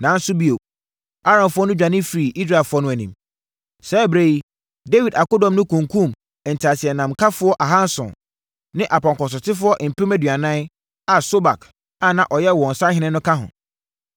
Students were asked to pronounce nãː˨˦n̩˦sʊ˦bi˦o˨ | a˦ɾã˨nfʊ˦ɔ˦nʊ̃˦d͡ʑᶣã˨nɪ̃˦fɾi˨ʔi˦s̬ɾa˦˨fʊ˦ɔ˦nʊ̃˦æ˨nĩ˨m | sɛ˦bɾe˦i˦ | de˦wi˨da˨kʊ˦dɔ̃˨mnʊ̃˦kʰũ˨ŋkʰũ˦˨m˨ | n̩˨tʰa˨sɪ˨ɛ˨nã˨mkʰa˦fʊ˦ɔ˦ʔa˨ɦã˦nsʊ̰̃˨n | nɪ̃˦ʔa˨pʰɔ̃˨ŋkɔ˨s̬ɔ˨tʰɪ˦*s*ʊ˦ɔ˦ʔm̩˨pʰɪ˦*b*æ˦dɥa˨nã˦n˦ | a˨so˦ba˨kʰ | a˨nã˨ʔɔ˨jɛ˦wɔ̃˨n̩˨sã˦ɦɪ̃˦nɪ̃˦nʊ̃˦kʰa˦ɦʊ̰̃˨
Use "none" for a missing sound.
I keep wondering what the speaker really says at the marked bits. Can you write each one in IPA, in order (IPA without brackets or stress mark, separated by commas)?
f, m